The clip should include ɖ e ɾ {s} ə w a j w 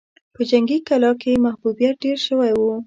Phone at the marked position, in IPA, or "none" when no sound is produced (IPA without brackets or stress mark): ʃ